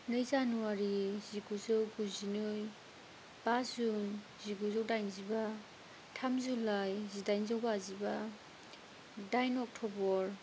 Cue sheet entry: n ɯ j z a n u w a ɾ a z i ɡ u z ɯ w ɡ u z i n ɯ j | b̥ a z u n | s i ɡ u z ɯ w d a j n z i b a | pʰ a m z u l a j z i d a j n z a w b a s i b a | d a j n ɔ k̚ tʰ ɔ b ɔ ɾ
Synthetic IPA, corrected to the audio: n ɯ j z a n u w a ɾ i z i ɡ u z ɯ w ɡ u z i n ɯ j | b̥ a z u n | z i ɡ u z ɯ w d a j n z i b a | tʰ a m z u l a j z i d a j n z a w b a z i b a | d a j n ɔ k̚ tʰ ɔ b ɔ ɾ

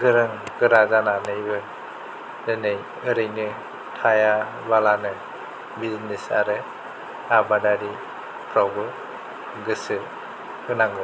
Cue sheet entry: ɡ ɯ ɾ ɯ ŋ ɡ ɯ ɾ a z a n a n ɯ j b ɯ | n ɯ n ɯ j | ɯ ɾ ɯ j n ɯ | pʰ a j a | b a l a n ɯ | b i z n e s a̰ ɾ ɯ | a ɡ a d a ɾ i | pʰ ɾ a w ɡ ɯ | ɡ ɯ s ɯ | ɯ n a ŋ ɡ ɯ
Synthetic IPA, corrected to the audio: ɡ ɯ ɾ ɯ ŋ ɡ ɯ ɾ a z a n a n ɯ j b ɯ | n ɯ n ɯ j | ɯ ɾ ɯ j n ɯ | tʰ a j a | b a l a n ɯ | b i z n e s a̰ ɾ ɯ | a b a d a ɾ i | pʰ ɾ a w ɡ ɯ | ɡ ɯ s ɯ | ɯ n a ŋ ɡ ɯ

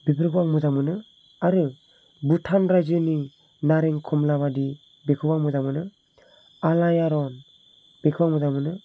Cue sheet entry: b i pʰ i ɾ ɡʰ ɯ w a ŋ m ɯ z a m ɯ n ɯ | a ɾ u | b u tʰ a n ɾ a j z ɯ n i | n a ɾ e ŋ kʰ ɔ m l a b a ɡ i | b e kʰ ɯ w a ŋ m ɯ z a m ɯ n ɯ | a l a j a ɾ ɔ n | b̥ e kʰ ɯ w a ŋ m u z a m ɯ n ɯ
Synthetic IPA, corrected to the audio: b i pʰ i ɾ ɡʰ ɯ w a ŋ m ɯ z a m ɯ n ɯ | a ɾ ɯ | b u tʰ a n ɾ a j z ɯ n i | n a ɾ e ŋ kʰ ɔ m l a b a d i | b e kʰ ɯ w a ŋ m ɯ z a m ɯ n ɯ | a l a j a ɾ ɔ n | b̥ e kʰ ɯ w a ŋ m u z a m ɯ n ɯ

